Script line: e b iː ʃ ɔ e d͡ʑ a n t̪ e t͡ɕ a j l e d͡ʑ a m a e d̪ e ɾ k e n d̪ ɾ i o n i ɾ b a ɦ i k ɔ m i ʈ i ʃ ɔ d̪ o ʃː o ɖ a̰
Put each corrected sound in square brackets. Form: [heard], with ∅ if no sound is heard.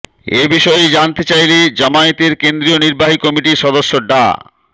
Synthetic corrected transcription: e b [i] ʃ ɔ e d͡ʑ a n t̪ e t͡ɕ a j l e d͡ʑ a m a e [t̪] e ɾ k e n d̪ ɾ i o n i ɾ b a ɦ i k ɔ m i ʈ i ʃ ɔ d̪ o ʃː o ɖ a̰